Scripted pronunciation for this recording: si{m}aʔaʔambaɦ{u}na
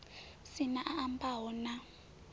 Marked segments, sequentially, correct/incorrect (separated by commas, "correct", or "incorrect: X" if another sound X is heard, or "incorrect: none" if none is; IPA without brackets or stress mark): incorrect: n, incorrect: ɔ